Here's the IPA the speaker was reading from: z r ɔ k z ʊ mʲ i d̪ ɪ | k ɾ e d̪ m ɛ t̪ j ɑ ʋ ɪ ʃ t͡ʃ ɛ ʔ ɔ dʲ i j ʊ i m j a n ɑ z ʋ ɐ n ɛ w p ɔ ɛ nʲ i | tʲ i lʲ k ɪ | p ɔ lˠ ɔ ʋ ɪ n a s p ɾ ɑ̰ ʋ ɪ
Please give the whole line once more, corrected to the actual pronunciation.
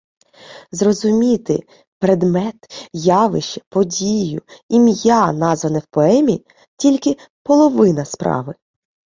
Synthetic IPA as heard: z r ɔ z ʊ mʲ i t̪ ɪ | p ɾ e d̪ m ɛ t̪ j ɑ ʋ ɪ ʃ t͡ʃ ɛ p ɔ dʲ i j ʊ i m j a n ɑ z ʋ ɐ n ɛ w p ɔ ɛ mʲ i | tʲ i lʲ k ɪ | p ɔ lˠ ɔ ʋ ɪ n ɐ s p ɾ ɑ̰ ʋ ɪ